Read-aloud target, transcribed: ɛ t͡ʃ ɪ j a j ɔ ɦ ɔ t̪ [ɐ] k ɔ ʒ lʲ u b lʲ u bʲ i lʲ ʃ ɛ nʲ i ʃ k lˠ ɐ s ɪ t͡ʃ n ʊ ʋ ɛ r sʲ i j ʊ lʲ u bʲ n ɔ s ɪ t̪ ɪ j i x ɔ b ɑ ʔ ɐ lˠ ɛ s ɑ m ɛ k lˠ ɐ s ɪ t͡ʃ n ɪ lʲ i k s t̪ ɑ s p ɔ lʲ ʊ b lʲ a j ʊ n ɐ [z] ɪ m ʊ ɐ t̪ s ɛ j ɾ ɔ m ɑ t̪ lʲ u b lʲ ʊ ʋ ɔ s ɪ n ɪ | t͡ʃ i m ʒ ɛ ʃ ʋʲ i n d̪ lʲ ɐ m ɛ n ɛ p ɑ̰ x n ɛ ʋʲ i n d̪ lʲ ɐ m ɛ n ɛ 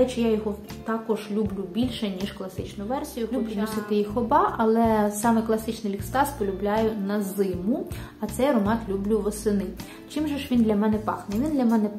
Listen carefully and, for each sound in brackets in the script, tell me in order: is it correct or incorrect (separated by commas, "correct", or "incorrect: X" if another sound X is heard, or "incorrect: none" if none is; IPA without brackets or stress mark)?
incorrect: ɑ, correct